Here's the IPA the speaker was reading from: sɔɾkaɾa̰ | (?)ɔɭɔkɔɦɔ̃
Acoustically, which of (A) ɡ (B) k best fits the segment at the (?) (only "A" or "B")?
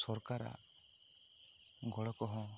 A